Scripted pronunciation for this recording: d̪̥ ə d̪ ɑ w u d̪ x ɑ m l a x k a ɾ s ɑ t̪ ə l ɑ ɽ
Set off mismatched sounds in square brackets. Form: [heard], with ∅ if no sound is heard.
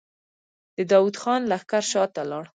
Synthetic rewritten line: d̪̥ ə d̪ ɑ w u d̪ x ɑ [n] l a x k a ɾ [ʃ] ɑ t̪ [a] l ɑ ɽ